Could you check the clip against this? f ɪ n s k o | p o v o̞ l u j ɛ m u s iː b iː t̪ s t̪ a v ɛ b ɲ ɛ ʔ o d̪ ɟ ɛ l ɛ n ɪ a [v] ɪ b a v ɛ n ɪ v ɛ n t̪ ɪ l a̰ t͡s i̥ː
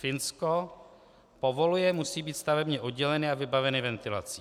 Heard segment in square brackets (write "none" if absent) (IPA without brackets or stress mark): v